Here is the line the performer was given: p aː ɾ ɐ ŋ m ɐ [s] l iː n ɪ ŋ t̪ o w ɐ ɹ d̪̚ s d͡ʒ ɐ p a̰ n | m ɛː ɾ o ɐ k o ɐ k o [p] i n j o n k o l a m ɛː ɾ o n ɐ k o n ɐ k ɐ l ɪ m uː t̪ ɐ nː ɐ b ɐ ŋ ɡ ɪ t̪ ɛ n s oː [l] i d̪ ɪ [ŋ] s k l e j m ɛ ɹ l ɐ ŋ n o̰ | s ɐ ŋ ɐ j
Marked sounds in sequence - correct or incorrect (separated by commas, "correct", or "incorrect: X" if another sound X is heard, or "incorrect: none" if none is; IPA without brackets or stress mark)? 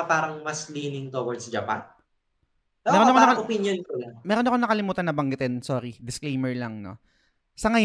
correct, correct, incorrect: ɾ, incorrect: none